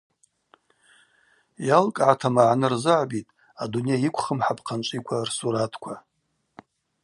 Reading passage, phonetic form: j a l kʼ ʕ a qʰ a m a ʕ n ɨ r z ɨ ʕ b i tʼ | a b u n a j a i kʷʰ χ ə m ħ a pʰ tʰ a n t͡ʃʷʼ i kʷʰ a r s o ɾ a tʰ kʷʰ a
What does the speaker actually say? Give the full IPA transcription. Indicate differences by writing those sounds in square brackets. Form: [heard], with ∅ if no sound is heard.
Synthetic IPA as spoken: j a l kʼ ʕ a [tʰ] a m a ʕ n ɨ r z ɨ ʕ b i tʼ | a [d] u n [e] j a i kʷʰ χ ə m ħ a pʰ [qʰ] a n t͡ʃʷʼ i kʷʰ a r s [u] ɾ a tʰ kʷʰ a